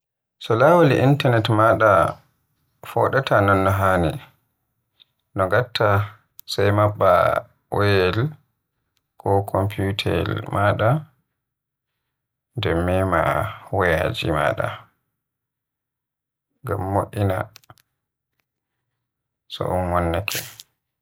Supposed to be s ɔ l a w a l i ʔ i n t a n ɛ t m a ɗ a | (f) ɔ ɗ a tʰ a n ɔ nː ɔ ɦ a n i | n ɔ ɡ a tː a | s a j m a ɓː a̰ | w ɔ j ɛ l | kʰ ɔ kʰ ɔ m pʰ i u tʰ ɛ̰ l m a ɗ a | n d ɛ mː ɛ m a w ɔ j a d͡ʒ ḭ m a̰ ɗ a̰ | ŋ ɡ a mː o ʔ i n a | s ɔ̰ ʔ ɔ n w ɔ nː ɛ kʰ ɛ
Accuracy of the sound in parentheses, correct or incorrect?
correct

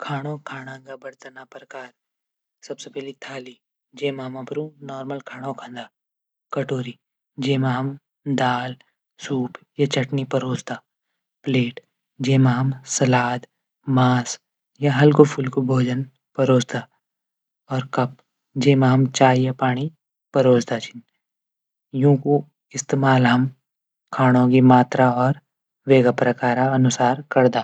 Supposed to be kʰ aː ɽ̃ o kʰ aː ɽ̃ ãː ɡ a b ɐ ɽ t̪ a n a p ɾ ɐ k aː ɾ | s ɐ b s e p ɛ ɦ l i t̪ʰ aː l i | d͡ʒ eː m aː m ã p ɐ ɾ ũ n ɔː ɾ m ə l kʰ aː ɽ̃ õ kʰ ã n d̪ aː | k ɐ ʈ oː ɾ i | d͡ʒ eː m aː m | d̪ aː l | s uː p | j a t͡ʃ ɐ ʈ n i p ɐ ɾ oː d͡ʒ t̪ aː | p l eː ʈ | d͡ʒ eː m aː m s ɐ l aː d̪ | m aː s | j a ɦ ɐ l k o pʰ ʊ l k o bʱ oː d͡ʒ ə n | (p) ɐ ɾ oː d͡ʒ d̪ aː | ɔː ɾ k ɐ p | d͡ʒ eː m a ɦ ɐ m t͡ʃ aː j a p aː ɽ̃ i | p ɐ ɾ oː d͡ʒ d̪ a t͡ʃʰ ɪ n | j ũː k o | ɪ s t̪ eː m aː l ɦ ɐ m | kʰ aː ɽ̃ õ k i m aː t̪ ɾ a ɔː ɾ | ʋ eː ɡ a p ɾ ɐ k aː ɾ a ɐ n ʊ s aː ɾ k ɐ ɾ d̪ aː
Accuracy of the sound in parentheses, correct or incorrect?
correct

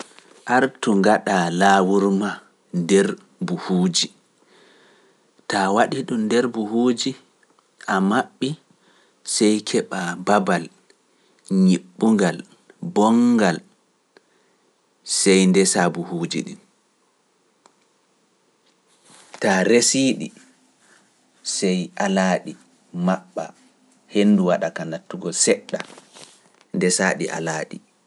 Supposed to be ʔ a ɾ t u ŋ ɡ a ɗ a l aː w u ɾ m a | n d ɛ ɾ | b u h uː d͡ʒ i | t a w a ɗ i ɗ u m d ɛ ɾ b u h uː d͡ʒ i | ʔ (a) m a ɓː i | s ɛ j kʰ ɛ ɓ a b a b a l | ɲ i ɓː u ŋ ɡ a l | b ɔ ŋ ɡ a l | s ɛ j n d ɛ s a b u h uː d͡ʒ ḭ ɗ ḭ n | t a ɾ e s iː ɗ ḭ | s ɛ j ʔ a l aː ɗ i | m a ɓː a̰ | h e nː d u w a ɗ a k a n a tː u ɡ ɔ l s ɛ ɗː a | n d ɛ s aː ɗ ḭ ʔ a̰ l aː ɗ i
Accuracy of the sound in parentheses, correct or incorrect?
correct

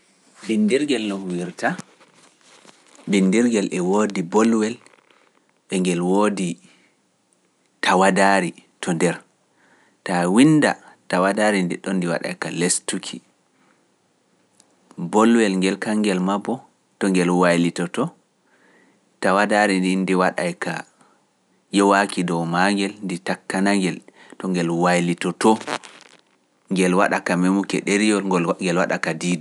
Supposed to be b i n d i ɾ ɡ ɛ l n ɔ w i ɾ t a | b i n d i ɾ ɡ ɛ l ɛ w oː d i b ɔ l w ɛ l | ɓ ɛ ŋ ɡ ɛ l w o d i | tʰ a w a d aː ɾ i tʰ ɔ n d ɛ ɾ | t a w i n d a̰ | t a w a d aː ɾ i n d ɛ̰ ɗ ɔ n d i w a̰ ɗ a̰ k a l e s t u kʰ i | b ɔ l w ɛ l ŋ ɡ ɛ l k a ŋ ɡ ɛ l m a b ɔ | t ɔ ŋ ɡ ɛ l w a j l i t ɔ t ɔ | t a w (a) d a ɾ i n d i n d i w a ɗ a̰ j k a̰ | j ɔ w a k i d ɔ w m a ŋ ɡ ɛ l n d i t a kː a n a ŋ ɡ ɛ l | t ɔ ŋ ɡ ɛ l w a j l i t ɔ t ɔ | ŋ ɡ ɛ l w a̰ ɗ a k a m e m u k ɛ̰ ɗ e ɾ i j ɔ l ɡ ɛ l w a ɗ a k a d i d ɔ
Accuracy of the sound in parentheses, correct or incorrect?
correct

